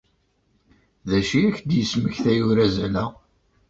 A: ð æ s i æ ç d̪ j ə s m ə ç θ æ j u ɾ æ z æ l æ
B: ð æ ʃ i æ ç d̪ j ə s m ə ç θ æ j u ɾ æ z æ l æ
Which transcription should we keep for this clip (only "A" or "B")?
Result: B